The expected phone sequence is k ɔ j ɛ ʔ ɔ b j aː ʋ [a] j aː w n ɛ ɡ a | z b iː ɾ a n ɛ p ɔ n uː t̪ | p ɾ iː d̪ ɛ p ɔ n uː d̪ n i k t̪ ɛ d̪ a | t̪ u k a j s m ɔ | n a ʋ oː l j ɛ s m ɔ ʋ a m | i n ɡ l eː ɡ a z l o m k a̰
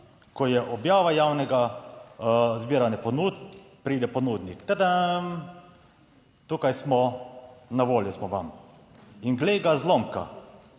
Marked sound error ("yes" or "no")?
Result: no